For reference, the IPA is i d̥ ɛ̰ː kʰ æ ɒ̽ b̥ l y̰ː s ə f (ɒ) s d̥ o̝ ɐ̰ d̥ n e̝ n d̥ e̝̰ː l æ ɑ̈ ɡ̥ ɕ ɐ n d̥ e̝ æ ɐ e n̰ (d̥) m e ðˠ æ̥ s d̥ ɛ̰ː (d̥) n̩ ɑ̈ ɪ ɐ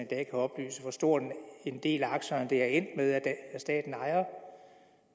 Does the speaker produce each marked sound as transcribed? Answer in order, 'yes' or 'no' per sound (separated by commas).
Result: yes, yes, yes